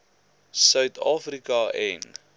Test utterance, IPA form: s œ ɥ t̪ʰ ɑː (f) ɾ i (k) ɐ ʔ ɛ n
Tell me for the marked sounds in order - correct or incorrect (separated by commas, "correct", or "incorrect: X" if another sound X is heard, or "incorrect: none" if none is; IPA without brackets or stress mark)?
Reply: correct, correct